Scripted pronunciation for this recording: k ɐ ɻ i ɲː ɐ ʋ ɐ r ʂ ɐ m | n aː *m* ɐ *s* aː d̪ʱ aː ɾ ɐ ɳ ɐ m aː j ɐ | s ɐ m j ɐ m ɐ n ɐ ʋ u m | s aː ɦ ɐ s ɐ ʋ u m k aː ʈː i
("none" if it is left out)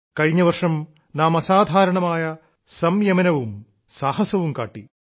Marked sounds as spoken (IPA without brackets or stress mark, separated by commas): m, s